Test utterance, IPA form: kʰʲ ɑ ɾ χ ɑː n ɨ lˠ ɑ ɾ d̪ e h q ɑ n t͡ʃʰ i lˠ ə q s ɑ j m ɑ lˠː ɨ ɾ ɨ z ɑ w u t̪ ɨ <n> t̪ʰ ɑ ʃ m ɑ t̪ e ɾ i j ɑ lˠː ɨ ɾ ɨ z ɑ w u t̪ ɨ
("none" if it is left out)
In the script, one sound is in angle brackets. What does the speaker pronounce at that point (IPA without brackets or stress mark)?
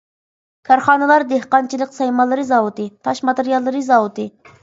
none